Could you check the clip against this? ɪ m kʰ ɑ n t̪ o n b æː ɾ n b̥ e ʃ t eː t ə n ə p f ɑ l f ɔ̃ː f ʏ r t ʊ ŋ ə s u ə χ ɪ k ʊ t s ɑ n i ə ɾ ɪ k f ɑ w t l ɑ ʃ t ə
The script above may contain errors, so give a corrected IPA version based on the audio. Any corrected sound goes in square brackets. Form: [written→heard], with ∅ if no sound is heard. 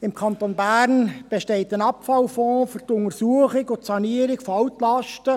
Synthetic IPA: ɪ m kʰ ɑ n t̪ o n b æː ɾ n b̥ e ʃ t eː t ə n [ə→ɑ] p f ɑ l f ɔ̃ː f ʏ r t ʊ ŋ ə s u ə χ ɪ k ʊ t s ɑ n i ə ɾ ɪ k f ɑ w t l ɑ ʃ t ə